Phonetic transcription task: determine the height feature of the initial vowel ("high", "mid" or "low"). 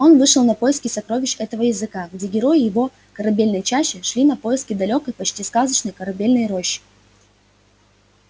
mid